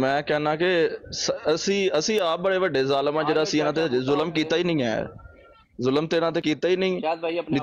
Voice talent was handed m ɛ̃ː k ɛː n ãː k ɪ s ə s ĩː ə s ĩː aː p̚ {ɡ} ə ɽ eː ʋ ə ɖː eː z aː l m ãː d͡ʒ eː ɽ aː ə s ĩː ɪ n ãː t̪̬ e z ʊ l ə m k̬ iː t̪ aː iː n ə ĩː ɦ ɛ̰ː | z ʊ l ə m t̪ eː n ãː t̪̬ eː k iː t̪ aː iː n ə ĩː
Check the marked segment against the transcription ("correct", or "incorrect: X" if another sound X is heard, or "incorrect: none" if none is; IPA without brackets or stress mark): incorrect: b